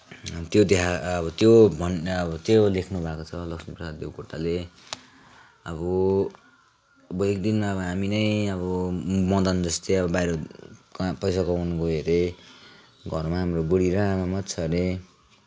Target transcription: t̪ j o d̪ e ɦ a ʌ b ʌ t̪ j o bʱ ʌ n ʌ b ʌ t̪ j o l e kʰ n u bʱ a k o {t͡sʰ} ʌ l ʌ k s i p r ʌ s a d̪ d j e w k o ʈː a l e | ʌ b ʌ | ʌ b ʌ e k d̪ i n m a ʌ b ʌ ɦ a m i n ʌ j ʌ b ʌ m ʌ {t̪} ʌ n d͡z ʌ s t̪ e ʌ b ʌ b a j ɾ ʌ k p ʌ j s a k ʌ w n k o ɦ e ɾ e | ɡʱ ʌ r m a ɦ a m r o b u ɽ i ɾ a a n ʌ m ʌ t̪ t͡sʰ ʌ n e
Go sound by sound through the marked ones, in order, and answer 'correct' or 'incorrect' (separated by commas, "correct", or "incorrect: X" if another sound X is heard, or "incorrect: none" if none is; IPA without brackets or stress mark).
correct, incorrect: d̪